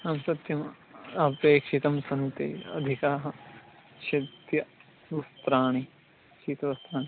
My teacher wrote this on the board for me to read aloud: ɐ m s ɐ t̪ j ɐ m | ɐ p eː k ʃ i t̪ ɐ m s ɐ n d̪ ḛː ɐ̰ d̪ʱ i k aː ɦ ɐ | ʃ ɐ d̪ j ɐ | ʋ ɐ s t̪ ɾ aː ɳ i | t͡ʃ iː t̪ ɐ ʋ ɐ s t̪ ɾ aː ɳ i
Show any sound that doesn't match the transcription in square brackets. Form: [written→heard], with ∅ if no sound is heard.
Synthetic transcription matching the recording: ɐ m s ɐ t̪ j ɐ m | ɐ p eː k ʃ i t̪ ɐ m s ɐ n [d̪→t̪] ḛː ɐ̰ d̪ʱ i k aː ɦ ɐ | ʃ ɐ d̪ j ɐ | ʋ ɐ s t̪ ɾ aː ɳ i | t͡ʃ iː t̪ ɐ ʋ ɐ s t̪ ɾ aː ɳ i